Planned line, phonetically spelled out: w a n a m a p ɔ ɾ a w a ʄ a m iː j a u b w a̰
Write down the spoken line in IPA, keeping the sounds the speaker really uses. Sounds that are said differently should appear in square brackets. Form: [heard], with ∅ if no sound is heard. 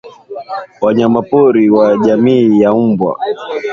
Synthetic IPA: w a [ɲ] a m a p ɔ ɾ [i] w a ʄ a m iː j a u b w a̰